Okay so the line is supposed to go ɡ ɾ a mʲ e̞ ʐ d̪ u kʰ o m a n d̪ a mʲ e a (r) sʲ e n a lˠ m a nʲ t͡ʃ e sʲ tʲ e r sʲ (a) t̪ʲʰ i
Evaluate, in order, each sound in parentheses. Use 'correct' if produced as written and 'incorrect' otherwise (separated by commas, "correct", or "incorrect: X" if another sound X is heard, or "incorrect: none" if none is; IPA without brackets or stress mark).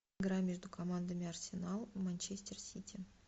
correct, incorrect: i